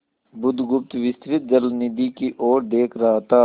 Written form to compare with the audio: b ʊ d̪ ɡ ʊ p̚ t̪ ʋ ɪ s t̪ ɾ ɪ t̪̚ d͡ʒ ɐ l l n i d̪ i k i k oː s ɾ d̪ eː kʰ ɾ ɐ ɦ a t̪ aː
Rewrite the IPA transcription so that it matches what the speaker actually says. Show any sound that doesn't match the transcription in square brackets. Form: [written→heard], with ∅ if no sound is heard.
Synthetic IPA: b ʊ d̪ ɡ ʊ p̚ t̪ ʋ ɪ s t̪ ɾ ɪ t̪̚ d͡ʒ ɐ l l n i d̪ i k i [k→ʔ] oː [s→∅] ɾ d̪ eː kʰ ɾ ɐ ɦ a t̪ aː

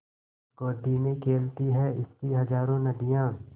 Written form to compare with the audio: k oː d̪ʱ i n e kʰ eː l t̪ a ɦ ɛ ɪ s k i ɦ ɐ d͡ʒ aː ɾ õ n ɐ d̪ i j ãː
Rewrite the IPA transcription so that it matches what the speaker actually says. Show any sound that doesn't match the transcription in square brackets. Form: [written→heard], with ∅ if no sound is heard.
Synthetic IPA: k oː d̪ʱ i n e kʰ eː l t̪ [a→i] ɦ ɛ ɪ s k i ɦ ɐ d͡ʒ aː ɾ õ n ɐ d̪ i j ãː

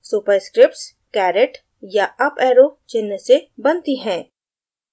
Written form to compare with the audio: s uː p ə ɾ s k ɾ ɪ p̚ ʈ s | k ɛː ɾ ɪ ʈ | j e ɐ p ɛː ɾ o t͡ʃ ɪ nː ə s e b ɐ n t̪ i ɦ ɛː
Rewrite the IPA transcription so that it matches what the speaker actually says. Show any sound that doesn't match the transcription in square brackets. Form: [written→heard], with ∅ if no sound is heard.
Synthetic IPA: s uː p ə ɾ s k ɾ ɪ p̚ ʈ s | k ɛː ɾ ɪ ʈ | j [e→a] ɐ p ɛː ɾ o t͡ʃ ɪ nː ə s e b ɐ n t̪ i ɦ [ɛː→ɛ̃ː]

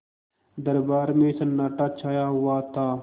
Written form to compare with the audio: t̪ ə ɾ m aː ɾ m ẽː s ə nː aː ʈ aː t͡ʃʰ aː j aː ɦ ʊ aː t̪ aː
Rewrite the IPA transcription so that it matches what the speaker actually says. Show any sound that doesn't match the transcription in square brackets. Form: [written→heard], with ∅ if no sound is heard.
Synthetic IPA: [t̪→d̪] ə ɾ [m→b] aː ɾ m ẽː s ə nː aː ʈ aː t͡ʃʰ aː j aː ɦ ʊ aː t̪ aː

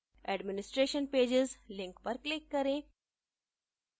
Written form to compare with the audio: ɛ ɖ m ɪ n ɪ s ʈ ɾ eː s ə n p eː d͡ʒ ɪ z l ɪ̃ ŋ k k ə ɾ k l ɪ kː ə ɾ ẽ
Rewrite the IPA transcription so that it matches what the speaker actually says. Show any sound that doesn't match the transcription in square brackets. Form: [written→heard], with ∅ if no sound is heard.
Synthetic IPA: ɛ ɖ m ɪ n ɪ s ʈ ɾ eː [s→ʃ] ə n p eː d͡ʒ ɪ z l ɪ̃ ŋ k [k→p] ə ɾ k l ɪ kː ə ɾ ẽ

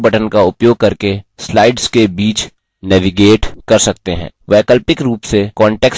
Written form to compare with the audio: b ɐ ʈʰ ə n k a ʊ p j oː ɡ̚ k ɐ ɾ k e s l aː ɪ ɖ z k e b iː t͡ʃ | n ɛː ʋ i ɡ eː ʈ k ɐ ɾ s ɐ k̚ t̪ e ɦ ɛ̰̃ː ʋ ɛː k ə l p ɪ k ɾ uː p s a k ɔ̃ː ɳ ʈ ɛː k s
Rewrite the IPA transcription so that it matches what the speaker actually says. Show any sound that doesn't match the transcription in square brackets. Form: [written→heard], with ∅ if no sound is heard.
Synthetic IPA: b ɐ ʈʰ ə n k a ʊ p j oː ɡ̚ k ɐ ɾ k e s l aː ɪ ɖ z k e b iː t͡ʃ | n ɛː ʋ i ɡ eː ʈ k ɐ ɾ s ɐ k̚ t̪ e ɦ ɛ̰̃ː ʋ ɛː k ə l p ɪ k ɾ uː p s [a→e] k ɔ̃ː ɳ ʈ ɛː k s

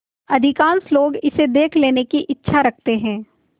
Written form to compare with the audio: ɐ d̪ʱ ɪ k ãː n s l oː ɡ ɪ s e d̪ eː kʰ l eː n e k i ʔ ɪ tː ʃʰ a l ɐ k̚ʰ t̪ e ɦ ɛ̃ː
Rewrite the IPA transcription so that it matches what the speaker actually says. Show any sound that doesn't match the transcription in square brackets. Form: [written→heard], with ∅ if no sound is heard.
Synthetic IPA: ɐ d̪ʱ ɪ k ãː n s l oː ɡ ɪ s e d̪ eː kʰ l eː n e k i ʔ ɪ tː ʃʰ a [l→ɾ] ɐ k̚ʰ t̪ e ɦ ɛ̃ː

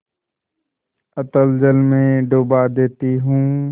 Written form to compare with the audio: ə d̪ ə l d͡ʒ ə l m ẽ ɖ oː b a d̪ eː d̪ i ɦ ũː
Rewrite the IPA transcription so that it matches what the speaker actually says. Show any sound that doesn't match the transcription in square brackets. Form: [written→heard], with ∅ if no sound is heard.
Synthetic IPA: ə [d̪→t̪] ə l d͡ʒ ə l m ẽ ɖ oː b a d̪ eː [d̪→t̪] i ɦ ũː

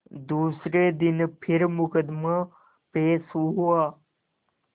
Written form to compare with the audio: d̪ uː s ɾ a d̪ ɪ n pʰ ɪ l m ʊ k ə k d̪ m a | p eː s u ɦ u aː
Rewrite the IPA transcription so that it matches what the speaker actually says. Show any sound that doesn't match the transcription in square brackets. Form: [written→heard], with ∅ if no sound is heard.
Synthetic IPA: d̪ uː s ɾ [a→e] d̪ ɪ n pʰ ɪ [l→ɾ] m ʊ k ə [k→∅] d̪ m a | p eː s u ɦ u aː

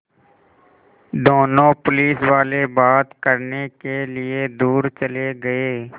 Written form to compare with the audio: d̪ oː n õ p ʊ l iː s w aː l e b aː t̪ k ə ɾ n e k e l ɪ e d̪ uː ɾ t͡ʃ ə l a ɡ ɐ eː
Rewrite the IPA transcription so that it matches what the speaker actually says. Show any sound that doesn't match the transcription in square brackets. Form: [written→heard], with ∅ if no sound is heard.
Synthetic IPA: d̪ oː n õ p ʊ l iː s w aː l e b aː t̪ k ə ɾ n e k e l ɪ e d̪ uː ɾ t͡ʃ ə l [a→e] ɡ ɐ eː

